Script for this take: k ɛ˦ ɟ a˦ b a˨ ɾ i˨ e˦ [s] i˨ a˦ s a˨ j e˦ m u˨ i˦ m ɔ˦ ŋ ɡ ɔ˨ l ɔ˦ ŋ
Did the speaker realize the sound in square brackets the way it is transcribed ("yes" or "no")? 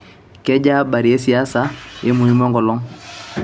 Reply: yes